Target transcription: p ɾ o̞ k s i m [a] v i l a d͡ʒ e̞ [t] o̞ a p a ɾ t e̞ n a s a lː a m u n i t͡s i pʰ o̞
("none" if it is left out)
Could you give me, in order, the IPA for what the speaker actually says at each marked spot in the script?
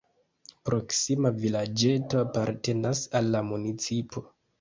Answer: a, t

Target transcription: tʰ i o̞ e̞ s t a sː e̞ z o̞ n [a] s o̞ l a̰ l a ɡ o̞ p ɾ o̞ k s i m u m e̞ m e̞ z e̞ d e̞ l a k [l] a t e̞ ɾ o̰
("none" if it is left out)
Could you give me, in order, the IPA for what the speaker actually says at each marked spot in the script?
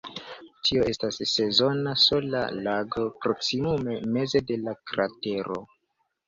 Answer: a, ɾ

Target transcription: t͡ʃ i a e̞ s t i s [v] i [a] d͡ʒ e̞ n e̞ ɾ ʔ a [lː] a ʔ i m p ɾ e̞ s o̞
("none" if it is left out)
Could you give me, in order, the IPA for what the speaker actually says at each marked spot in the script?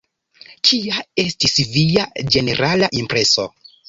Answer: v, a, l

